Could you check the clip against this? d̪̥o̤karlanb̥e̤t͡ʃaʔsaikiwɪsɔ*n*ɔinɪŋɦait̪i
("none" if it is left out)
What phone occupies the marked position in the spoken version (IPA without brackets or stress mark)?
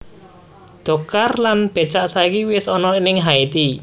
n